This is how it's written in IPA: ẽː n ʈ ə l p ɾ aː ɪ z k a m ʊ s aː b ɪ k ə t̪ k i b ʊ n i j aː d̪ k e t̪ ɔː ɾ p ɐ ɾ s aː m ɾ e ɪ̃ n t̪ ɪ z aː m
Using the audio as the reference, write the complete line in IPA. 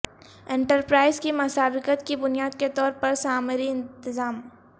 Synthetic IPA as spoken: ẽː ɳ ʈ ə ɾ p ɾ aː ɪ z k i m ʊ s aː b ɪ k ə t̪ k i b ʊ n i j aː d̪ k e t̪ ɔː ɾ p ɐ ɾ s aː m ɾ i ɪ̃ n t̪ ɪ z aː m